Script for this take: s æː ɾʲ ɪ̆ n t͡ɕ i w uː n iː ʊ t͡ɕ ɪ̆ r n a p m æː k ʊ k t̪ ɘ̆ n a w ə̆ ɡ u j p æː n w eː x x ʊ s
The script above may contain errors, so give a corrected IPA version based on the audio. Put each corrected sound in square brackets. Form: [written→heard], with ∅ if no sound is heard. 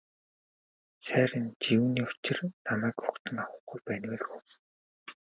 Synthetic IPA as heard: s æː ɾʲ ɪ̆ n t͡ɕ i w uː n iː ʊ t͡ɕ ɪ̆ r n a [p→∅] m æː k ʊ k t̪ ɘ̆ [n→ŋ] a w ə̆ ɡ u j p æː n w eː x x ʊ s